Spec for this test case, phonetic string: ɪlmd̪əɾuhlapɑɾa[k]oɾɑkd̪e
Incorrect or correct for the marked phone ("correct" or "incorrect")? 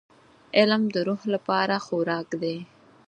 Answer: incorrect